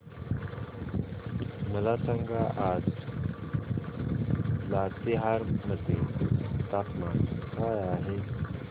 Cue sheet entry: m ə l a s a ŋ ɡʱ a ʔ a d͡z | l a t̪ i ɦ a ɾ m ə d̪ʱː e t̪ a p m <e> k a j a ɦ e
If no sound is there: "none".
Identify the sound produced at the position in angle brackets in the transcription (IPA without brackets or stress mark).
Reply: a